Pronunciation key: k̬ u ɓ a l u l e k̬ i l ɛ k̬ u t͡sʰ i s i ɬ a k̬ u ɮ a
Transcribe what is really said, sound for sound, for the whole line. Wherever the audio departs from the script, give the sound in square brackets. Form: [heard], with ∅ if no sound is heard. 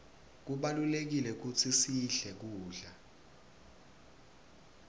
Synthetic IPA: k̬ u ɓ a l u l e k̬ i l ɛ k̬ u t͡sʰ i s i ɬ [ɛ] k̬ [uː] ɮ a